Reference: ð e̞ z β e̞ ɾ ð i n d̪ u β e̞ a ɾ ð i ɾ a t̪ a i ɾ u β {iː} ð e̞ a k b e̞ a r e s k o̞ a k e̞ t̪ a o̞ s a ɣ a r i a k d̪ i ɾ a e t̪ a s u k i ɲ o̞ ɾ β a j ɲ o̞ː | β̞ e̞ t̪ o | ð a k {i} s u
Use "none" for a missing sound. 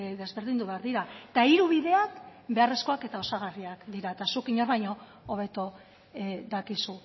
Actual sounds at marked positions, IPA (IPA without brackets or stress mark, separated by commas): i, i